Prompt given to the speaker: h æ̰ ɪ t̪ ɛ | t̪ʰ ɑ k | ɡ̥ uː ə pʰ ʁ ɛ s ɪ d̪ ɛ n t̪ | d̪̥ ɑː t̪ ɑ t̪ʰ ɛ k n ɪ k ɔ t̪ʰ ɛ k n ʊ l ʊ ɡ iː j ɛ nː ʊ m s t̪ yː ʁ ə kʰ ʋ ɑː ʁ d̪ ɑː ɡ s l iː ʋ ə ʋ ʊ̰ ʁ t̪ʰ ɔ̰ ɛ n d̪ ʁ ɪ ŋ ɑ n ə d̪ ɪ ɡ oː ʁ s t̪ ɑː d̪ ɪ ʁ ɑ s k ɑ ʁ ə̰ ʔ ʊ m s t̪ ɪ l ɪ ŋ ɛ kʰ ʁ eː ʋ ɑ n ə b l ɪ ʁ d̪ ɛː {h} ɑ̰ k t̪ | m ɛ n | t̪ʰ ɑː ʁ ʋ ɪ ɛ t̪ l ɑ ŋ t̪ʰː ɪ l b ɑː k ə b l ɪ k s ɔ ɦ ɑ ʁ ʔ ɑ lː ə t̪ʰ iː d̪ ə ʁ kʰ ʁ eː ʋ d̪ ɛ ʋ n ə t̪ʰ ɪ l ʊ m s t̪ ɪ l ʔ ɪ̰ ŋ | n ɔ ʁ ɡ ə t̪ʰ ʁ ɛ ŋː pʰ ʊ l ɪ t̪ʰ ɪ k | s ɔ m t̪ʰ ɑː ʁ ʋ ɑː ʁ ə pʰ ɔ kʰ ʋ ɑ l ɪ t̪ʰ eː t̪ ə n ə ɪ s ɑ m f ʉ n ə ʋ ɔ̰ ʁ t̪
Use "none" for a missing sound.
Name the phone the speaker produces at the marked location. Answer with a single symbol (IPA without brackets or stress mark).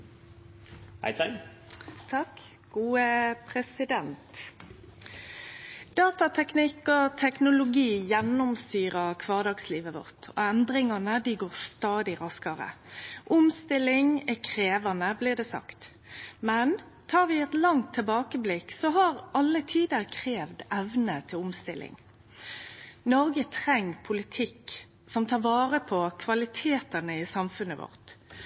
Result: s